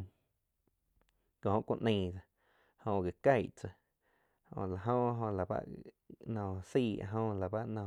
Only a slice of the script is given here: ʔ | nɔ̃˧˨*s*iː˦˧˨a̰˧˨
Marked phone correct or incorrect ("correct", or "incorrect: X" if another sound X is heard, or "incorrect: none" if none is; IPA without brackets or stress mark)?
correct